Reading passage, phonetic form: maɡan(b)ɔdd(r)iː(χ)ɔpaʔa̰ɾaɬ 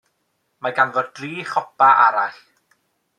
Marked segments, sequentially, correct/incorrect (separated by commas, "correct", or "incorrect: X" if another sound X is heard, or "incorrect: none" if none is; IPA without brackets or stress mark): incorrect: v, correct, correct